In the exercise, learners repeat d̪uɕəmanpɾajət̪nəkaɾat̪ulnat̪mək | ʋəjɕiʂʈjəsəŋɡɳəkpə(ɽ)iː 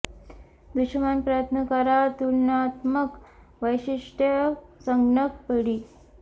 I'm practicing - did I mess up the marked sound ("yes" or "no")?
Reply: no